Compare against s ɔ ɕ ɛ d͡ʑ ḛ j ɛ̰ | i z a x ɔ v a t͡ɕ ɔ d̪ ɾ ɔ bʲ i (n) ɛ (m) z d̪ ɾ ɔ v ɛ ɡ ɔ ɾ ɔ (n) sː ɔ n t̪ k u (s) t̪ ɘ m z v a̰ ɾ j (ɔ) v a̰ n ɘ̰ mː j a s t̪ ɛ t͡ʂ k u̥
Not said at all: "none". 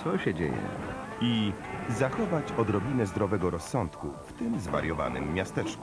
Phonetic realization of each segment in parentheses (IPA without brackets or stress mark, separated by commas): n, none, none, f, ɔ